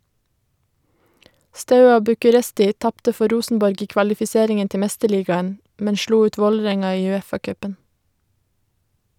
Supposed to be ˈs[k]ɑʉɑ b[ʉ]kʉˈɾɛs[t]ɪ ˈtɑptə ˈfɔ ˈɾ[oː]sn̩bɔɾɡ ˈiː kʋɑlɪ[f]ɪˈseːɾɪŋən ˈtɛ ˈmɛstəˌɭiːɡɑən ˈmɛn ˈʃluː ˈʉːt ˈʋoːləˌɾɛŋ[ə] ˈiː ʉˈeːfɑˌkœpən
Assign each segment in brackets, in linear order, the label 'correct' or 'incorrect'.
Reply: incorrect: t, correct, correct, incorrect: uː, correct, incorrect: ɑ

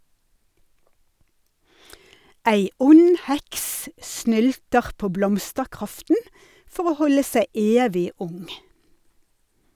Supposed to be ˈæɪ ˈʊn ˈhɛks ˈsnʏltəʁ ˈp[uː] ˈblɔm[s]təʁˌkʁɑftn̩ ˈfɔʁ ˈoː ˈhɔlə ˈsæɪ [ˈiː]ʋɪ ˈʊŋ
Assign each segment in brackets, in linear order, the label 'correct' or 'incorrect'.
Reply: incorrect: oː, correct, incorrect: eː

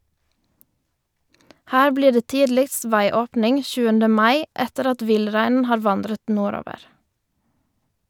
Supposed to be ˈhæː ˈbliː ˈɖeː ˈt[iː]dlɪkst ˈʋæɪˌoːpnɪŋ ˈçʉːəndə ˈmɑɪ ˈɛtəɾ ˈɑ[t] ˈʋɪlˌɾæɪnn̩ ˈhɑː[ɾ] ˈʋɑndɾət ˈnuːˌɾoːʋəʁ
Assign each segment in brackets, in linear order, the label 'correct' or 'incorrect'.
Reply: correct, correct, correct

